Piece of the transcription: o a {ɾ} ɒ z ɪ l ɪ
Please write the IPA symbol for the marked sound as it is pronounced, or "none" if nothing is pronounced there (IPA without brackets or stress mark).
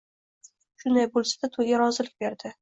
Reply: ɾ